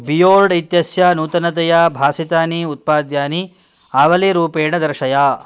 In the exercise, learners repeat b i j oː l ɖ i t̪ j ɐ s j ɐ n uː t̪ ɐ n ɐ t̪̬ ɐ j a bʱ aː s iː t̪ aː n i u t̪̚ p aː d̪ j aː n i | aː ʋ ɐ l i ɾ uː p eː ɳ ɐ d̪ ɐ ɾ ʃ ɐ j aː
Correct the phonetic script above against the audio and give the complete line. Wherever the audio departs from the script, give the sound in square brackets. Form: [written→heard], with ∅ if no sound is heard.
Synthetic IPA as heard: b i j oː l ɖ i t̪ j ɐ s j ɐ n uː t̪ ɐ n ɐ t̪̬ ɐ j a bʱ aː s [iː→i] t̪ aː n i u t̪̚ p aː d̪ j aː n i | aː ʋ ɐ l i ɾ uː p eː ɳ ɐ d̪ ɐ ɾ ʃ ɐ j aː